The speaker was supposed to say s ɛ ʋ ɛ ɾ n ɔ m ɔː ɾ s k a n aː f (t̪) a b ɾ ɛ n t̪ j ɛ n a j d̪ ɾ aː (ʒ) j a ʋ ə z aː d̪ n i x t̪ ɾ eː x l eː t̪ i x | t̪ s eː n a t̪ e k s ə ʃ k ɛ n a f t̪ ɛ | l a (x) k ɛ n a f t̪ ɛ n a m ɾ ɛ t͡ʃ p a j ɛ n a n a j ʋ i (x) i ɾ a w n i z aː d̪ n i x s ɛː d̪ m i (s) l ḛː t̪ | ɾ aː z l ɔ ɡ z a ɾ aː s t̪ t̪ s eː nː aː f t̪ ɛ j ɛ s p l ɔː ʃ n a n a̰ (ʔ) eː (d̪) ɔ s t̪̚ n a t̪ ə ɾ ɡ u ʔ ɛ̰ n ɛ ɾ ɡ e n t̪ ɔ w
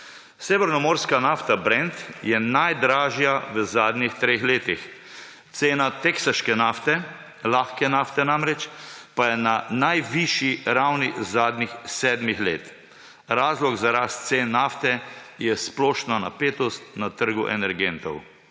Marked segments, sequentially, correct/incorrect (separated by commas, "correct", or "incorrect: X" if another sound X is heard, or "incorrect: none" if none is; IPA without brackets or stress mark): correct, correct, correct, incorrect: ʃ, incorrect: x, incorrect: p, incorrect: t̪